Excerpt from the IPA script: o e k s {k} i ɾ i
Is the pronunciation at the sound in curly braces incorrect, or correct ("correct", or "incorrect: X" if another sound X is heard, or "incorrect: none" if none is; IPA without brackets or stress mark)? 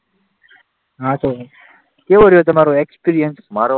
incorrect: p